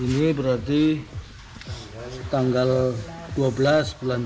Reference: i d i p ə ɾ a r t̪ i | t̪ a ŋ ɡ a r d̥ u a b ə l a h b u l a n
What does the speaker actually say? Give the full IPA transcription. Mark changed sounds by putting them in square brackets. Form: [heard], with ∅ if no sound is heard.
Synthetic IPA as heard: i [n] i [b] ə ɾ a r t̪ i | t̪ a ŋ ɡ a [l] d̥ u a b ə l a [s] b u l a n